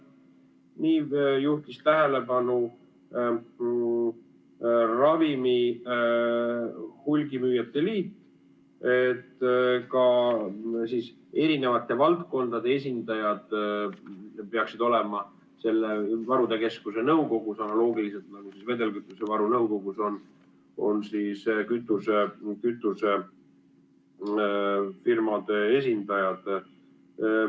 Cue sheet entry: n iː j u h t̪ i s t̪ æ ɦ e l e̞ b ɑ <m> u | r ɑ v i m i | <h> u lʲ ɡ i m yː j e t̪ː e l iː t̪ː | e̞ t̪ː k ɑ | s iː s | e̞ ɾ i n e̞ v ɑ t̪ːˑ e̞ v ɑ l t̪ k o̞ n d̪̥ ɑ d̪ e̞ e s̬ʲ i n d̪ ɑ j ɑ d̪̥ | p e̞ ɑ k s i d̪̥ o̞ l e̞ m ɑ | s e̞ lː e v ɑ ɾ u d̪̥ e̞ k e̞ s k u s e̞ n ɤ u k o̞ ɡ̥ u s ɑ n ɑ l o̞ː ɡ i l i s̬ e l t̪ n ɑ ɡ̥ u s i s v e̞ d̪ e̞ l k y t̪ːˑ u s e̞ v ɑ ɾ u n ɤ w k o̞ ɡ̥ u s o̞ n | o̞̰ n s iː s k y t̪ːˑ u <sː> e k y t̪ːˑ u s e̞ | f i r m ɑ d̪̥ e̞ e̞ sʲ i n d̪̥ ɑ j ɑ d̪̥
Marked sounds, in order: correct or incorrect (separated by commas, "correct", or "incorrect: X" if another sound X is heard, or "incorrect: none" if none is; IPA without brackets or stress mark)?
incorrect: n, correct, incorrect: s